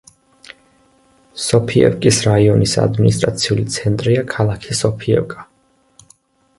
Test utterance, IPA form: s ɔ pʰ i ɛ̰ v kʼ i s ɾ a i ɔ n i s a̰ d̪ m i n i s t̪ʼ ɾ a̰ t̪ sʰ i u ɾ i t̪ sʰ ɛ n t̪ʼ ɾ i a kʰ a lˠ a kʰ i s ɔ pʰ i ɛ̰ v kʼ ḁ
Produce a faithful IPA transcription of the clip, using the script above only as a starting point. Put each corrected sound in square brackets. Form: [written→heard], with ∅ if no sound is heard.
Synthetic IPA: s ɔ pʰ i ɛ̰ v kʼ i s ɾ a i ɔ n i s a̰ d̪ m i n i s t̪ʼ ɾ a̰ t̪ sʰ i u [ɾ→l] i t̪ sʰ ɛ n t̪ʼ ɾ i a kʰ a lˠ a kʰ i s ɔ pʰ i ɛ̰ v kʼ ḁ